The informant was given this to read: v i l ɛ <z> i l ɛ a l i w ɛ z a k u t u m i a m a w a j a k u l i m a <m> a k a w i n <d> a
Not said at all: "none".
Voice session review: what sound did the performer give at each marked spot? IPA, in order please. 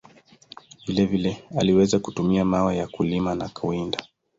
v, n, d

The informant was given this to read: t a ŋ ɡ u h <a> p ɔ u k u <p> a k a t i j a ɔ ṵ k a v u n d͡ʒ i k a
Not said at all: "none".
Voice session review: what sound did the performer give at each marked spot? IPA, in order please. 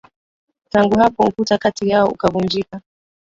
a, t

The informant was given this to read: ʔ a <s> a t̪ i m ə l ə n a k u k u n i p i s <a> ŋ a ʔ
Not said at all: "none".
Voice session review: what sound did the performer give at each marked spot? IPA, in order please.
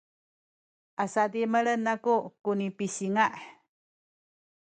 s, i

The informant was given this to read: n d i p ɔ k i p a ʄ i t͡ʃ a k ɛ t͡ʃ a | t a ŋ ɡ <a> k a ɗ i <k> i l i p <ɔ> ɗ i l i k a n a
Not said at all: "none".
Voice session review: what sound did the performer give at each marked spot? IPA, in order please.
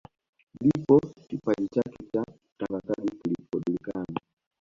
a, k, ɔ

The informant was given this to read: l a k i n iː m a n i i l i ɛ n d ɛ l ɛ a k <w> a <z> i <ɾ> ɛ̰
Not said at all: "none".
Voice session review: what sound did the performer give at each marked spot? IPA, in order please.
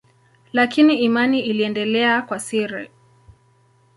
w, s, ɾ

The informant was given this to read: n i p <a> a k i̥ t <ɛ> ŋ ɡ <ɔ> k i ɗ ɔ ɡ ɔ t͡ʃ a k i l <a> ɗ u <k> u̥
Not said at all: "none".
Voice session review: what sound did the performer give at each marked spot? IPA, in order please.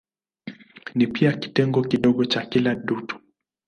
i, ɛ, ɔ, a, t

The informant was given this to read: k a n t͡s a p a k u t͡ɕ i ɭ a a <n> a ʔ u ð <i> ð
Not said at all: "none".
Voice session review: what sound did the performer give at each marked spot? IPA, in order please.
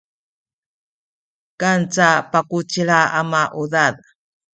m, a

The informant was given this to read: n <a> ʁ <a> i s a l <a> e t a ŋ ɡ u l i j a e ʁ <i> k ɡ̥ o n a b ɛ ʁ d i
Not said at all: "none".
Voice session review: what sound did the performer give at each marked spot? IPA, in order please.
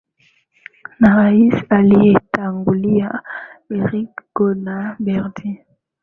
a, a, i, i

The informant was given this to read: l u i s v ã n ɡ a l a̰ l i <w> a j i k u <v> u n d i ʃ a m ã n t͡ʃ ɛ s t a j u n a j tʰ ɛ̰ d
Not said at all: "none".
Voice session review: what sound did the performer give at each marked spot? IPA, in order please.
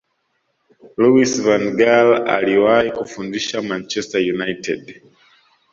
w, f

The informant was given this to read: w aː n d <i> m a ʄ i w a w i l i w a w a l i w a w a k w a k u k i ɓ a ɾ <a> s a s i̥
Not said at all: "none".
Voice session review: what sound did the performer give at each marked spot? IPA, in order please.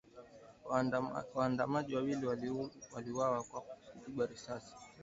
a, i

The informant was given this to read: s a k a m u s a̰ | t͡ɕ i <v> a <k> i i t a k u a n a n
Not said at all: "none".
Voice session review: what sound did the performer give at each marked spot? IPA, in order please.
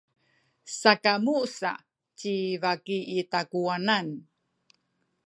v, k

